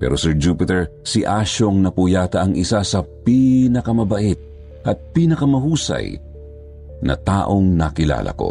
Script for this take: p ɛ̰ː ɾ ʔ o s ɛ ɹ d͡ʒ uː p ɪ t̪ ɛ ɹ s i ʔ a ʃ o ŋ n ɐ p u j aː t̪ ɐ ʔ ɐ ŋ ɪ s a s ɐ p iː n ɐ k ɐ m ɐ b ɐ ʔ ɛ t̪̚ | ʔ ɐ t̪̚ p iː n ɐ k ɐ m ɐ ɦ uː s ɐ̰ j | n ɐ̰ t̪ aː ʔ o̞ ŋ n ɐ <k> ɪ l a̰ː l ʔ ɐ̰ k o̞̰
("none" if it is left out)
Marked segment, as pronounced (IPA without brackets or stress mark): k